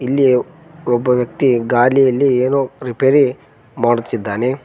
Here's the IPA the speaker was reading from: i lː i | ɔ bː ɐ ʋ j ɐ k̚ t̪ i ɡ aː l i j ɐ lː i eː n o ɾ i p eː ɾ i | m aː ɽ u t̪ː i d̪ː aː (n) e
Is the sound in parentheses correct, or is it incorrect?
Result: correct